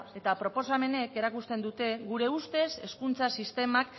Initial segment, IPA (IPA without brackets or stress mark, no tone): e̞